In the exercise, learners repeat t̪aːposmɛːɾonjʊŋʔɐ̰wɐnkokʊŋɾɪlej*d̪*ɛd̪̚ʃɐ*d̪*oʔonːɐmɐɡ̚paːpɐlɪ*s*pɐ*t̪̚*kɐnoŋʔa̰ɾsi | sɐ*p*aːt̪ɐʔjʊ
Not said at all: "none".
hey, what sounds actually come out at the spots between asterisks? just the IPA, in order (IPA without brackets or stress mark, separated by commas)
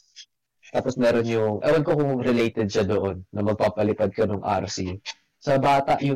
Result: t̪, d̪, none, d̪̚, b